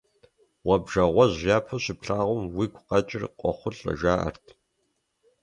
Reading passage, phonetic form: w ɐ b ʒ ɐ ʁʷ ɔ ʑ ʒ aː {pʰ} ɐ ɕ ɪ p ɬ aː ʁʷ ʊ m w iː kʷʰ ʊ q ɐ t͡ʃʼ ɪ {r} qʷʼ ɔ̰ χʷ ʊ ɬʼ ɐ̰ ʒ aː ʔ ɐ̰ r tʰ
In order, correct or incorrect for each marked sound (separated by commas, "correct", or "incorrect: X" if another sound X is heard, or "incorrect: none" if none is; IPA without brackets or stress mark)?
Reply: correct, correct